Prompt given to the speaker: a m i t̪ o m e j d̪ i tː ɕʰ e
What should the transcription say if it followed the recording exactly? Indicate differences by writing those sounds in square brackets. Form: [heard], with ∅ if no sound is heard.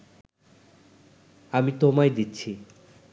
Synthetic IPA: a m i t̪ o m [a] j d̪ i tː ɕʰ [i]

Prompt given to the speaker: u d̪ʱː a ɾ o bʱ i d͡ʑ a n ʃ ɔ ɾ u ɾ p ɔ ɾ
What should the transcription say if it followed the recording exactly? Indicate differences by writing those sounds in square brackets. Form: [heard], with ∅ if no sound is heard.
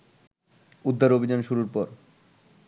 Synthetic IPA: u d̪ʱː a ɾ o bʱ i d͡ʑ a n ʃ [u] ɾ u ɾ p ɔ ɾ

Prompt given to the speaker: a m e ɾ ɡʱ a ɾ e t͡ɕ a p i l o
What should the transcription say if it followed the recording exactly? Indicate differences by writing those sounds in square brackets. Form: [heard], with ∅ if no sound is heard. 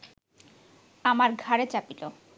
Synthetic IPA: a m [a] ɾ ɡʱ a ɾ e t͡ɕ a p i l o

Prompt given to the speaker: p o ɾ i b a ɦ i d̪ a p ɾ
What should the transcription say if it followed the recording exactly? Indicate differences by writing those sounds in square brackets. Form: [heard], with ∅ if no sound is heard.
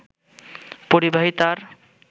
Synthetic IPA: p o ɾ i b a ɦ i [t̪] a [∅] ɾ

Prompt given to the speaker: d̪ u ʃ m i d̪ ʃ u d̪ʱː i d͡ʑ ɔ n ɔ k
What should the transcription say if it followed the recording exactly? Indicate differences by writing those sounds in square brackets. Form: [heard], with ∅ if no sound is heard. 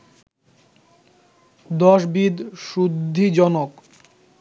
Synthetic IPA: d̪ [ɔ] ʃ [b] i d̪ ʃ u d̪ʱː i d͡ʑ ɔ n [o] k

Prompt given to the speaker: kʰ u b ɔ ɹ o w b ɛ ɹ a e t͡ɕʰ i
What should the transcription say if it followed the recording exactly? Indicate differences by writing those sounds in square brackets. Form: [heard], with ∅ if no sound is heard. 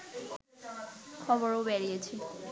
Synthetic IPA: kʰ [ɔ] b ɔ ɹ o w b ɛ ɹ [i] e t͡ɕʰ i

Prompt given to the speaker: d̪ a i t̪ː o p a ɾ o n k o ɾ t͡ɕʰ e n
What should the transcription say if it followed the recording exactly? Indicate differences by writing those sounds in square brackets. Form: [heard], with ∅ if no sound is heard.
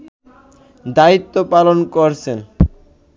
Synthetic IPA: d̪ a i t̪ː o p a [l] o n k o ɾ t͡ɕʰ e n

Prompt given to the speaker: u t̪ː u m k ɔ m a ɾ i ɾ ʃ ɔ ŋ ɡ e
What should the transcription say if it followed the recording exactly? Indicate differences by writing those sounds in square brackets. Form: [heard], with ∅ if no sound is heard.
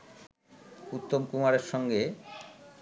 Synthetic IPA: u t̪ː [o] m k [u] m a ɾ [e] ɾ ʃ ɔ ŋ ɡ e

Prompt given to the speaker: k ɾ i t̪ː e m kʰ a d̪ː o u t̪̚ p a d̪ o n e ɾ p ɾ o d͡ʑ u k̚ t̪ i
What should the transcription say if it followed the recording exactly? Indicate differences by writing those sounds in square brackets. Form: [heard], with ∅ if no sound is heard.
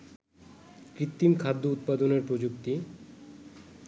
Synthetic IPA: k ɾ i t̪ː [i] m kʰ a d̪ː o u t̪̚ p a d̪ o n e ɾ p ɾ o d͡ʑ u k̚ t̪ i

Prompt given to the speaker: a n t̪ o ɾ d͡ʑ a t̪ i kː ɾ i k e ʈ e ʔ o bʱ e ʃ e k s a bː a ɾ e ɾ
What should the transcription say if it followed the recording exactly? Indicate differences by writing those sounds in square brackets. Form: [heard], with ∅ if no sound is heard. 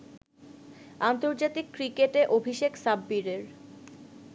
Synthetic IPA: a n t̪ o ɾ d͡ʑ a t̪ i kː ɾ i k e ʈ e ʔ o bʱ [i] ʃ e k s a bː [i] ɾ e ɾ

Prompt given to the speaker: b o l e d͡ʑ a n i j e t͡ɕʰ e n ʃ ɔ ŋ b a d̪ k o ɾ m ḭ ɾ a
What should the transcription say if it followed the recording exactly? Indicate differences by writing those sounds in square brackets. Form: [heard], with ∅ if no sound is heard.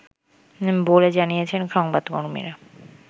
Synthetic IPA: b o l e d͡ʑ a n i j e t͡ɕʰ e n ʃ ɔ ŋ b a d̪ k o ɾ m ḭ ɾ a

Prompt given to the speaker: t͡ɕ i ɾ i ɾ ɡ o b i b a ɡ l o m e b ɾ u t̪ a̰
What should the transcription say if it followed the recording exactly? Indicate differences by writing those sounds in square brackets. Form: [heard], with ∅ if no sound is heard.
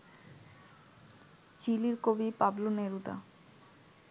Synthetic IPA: t͡ɕ i [l] i ɾ [k] o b i [p] a [b] l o [n] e [∅] ɾ u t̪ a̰

